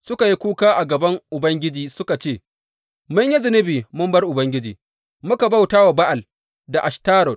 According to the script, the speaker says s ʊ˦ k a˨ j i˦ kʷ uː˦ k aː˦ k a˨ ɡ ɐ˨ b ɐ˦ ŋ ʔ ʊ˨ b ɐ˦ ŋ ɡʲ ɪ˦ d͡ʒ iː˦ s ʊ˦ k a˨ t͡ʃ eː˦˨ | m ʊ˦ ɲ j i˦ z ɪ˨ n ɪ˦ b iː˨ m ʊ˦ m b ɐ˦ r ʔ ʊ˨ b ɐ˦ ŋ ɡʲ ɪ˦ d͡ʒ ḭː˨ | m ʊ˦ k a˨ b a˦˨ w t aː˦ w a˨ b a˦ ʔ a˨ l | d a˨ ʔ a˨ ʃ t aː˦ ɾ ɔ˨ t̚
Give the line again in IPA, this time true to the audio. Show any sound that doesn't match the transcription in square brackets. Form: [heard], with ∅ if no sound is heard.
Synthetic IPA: s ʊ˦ k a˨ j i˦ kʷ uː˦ k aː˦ [ʔ] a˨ ɡ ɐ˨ b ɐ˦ ŋ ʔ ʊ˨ b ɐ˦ ŋ ɡʲ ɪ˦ d͡ʒ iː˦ s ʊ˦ k a˨ t͡ʃ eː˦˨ | m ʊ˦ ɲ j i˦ z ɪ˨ n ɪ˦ b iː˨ m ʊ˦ m b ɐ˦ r ʔ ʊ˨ b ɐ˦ ŋ ɡʲ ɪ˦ d͡ʒ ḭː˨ | m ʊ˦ k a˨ b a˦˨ w t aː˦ w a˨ b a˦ ʔ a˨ l | d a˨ ʔ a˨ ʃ t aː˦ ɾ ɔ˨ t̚